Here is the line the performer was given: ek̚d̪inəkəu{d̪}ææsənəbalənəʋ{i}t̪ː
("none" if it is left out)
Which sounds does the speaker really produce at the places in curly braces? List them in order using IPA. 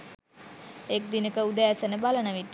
d̪, i

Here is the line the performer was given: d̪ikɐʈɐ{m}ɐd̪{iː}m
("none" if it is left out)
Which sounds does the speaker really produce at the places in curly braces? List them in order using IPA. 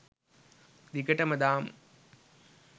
m, aː

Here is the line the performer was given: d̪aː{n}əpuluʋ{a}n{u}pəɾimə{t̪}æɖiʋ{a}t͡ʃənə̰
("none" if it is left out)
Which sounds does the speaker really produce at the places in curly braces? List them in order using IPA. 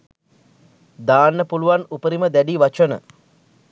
nː, a, u, d̪, a

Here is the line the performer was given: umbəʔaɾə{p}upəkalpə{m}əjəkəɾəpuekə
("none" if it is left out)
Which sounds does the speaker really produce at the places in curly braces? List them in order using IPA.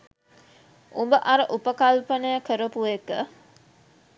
ʔ, n

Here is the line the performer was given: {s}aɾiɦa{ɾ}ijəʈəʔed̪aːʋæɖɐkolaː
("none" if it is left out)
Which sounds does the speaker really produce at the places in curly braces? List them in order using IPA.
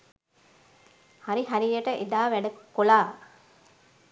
h, ɾ

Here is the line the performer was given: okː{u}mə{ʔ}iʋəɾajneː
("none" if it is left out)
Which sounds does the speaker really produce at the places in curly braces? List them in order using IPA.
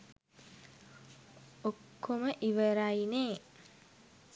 o, ʔ

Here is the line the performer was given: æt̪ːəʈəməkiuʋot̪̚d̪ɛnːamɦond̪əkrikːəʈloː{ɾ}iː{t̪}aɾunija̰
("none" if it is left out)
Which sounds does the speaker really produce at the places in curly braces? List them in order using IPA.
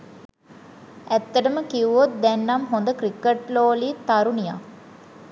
l, t̪

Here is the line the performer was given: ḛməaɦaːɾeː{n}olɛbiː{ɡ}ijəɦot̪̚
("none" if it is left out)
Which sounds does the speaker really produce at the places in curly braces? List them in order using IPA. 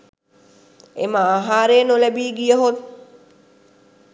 n, ɡ

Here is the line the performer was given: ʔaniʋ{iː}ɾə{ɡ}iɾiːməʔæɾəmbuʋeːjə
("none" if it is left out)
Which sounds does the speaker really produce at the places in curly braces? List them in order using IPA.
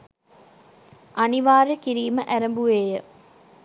aː, k

